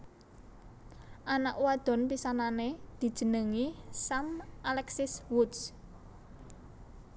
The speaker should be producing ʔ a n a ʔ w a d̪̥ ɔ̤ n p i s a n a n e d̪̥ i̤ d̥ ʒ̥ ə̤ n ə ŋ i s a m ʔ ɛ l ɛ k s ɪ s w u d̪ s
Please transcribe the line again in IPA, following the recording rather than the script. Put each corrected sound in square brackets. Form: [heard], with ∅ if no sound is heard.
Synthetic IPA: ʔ a n a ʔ w a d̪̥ ɔ̤ n p i s a n a n e d̪̥ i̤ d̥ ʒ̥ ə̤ n ə ŋ i s a m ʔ [a] l ɛ k s ɪ s w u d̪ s

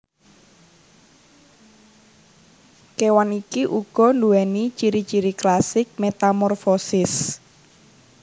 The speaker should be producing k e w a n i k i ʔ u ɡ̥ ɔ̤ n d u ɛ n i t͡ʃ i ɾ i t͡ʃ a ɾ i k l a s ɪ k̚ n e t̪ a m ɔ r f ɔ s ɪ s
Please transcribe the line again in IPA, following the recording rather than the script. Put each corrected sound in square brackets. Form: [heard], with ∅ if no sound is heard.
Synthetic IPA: k e w a n i k i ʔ u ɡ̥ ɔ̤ n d u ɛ n i t͡ʃ i ɾ i t͡ʃ [i] ɾ i k l a s ɪ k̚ [m] e t̪ a m ɔ r f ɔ s ɪ s

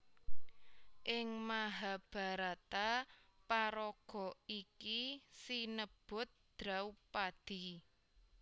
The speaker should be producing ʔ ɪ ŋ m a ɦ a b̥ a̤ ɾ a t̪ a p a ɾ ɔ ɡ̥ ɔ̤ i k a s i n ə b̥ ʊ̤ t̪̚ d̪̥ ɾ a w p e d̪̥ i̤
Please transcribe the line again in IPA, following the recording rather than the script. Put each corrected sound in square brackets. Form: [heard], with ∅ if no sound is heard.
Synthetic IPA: ʔ ɪ ŋ m a ɦ a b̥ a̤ ɾ a t̪ a p a ɾ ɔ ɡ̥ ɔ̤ i k [i] s i n ə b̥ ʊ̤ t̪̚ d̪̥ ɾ a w p [a] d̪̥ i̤

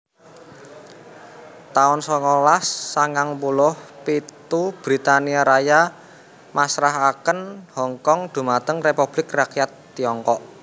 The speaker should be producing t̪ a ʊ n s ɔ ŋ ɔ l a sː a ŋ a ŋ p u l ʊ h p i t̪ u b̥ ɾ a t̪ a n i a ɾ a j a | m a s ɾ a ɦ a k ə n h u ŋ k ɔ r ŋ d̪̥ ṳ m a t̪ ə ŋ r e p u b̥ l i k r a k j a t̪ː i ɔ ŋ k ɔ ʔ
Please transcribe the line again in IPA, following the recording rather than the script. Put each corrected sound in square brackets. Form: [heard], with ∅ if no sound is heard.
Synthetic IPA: t̪ a ʊ n s ɔ ŋ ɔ l a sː a ŋ a ŋ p u l ʊ h p i t̪ u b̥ ɾ [i] t̪ a n i a ɾ a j a | m a s ɾ a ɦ a k ə n h [ɔ] ŋ k ɔ [∅] ŋ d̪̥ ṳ m a t̪ ə ŋ r e p u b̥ l [ɪ] k r a k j a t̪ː i ɔ ŋ k ɔ ʔ

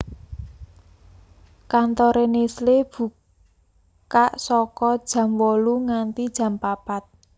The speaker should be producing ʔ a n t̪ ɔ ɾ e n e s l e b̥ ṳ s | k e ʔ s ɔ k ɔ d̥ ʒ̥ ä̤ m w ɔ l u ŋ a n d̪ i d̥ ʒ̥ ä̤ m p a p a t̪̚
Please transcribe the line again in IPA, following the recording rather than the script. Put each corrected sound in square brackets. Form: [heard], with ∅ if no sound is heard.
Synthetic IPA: [k] a n t̪ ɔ ɾ e n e s l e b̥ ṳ [∅] | k [a] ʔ s ɔ k ɔ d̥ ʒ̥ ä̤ m w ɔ l u ŋ a n [t̪] i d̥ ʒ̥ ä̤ m p a p a t̪̚

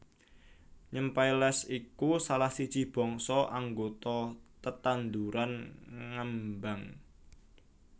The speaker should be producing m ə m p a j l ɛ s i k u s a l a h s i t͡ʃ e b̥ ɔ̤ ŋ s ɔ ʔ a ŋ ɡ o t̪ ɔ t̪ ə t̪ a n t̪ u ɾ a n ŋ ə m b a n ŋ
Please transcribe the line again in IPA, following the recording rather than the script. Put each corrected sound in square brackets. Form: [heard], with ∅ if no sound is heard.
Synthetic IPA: [ɲ] ə m p a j l ɛ s i k u s a l a h s i t͡ʃ [i] b̥ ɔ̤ ŋ s ɔ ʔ a ŋ ɡ o t̪ ɔ t̪ ə t̪ a n [d̪] u ɾ a n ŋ ə m b a [∅] ŋ

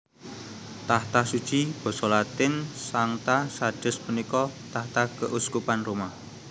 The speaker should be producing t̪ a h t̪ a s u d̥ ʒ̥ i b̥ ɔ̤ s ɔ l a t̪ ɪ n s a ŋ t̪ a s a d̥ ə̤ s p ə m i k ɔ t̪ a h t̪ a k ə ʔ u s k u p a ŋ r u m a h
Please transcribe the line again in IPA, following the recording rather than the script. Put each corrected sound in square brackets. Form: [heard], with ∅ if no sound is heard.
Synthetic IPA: t̪ a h t̪ a s u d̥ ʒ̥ i b̥ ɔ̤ s ɔ l a t̪ ɪ n s a ŋ t̪ a s a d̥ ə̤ s p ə [n] i k ɔ t̪ a h t̪ a k ə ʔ u s k u p a [n] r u m a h

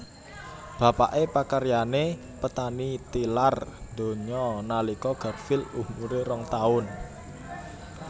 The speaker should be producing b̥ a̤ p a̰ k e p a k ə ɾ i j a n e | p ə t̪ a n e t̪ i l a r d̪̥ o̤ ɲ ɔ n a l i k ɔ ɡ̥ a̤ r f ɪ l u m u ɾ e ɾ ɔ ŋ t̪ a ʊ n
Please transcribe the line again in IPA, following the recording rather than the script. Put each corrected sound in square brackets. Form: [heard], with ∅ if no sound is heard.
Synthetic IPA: b̥ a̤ p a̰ [ʔ] e p a k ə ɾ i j a n e | p ə t̪ a n [i] t̪ i l a r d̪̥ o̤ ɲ ɔ n a l i k ɔ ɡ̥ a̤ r f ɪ l u m u ɾ e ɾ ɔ ŋ t̪ a ʊ n

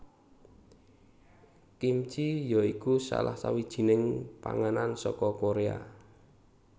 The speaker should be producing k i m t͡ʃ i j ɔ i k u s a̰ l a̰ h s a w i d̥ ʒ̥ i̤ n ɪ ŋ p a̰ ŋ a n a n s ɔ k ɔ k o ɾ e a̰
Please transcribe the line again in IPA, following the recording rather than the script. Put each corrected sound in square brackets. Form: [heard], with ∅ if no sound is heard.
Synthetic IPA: k i m t͡ʃ i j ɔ i k u s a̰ l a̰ h s a w i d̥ ʒ̥ i̤ n ɪ ŋ p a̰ ŋ a n a n s ɔ k ɔ k o ɾ e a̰

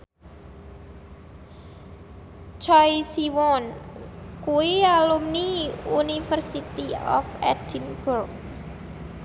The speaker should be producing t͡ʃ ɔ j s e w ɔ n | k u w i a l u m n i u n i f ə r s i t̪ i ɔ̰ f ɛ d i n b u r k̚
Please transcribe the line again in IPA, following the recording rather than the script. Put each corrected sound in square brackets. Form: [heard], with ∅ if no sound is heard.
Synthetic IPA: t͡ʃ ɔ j s [i] w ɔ n | k u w i a l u m n i u n i f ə r s i t̪ i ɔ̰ f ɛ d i n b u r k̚

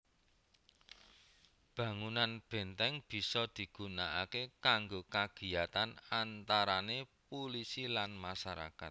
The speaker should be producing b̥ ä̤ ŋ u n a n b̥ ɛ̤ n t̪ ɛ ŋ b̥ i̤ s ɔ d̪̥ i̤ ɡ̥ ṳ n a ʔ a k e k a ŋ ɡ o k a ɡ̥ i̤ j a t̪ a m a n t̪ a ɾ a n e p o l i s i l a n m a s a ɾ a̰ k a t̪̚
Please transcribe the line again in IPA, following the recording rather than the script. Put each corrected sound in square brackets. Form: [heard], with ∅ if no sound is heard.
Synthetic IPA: b̥ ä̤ ŋ u n a n b̥ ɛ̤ n t̪ ɛ ŋ b̥ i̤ s ɔ d̪̥ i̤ ɡ̥ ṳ n a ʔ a k e k a ŋ ɡ o k a ɡ̥ i̤ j a t̪ a [n] a n t̪ a ɾ a n e p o l i s i l a n m a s a ɾ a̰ k a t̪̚

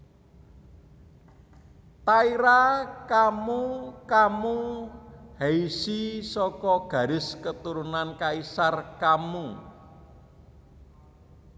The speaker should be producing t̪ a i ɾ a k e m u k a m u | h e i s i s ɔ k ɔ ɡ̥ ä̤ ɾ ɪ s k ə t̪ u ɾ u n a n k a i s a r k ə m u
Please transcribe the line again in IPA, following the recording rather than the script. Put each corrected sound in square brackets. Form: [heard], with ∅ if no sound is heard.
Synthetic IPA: t̪ a i ɾ a k [a] m u k a m u | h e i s i s ɔ k ɔ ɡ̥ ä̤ ɾ ɪ s k ə t̪ u ɾ u n a n k a i s a r k [a] m u

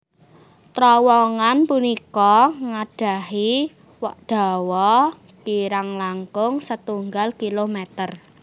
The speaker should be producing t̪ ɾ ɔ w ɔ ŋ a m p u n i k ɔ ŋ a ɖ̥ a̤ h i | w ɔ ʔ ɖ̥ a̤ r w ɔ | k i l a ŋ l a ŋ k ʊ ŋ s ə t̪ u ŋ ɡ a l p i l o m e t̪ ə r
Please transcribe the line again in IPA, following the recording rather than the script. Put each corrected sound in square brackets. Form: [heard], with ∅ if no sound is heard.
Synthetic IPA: t̪ ɾ ɔ w ɔ ŋ a [n] p u n i k ɔ ŋ a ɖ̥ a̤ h i | w ɔ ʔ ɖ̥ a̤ [∅] w ɔ | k i [ɾ] a ŋ l a ŋ k ʊ ŋ s ə t̪ u ŋ ɡ a l [k] i l o m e t̪ ə r

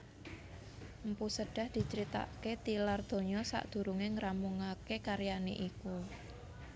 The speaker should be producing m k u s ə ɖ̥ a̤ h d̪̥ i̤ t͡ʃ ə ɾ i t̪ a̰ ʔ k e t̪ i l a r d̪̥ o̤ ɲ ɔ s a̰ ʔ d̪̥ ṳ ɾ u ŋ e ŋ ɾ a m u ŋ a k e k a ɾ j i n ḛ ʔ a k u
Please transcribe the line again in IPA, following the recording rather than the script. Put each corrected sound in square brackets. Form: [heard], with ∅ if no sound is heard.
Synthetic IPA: m [p] u s ə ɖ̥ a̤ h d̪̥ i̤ t͡ʃ ə ɾ i t̪ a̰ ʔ k e t̪ i l a r d̪̥ o̤ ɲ ɔ s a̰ ʔ d̪̥ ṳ ɾ u ŋ e ŋ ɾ a m u ŋ a k e k a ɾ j [a] n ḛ ʔ [i] k u

